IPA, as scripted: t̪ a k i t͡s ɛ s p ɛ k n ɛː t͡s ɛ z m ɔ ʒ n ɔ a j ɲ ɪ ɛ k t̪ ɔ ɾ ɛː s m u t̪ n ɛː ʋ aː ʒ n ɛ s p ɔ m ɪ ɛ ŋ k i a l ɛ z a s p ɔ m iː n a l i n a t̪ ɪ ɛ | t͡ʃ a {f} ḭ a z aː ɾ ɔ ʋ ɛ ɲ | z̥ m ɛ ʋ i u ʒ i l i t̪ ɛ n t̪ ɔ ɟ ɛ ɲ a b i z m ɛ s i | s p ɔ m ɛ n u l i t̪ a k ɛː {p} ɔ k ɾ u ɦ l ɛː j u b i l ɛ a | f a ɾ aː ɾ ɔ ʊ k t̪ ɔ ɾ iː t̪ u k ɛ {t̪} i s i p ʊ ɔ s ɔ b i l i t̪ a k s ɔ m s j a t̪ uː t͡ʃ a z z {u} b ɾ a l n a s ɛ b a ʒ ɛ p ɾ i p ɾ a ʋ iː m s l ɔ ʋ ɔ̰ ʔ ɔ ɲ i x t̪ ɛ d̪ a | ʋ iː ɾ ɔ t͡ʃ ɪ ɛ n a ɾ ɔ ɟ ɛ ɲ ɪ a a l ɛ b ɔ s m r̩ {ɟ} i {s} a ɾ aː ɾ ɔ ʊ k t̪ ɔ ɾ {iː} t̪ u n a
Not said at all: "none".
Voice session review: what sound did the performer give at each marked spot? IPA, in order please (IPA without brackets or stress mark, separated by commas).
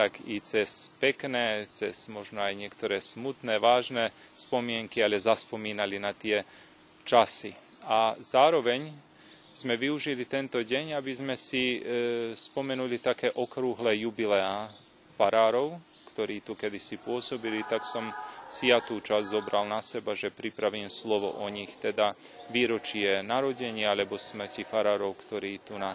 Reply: s, ʔ, d̪, ɔ, c, f, iː